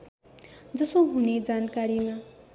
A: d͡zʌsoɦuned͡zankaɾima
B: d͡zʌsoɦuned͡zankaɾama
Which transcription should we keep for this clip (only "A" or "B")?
A